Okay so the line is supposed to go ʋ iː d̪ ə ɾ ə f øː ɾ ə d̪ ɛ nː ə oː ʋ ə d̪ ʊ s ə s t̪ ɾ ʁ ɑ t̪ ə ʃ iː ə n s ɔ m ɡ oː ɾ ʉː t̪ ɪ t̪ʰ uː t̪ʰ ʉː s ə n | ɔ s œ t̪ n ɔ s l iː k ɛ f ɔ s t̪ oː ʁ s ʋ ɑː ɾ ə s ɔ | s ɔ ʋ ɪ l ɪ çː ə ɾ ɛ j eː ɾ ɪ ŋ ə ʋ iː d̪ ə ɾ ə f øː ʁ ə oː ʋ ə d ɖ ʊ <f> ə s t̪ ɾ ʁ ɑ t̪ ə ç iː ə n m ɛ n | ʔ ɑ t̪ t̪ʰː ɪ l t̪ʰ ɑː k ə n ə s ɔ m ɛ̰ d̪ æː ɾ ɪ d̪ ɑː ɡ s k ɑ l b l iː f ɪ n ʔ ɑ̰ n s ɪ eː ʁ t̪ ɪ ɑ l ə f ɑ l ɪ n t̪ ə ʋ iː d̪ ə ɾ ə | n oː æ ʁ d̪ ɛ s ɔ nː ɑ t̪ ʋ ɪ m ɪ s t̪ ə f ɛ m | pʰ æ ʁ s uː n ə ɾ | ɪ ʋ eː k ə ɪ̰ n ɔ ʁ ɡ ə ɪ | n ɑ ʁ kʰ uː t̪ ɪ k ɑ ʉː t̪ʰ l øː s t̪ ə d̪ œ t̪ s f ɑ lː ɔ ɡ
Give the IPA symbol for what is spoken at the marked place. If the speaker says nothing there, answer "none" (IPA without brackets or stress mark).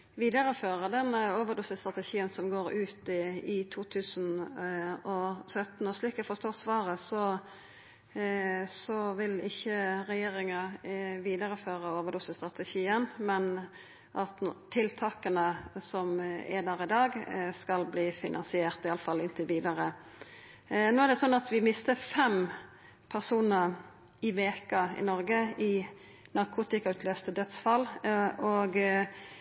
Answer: s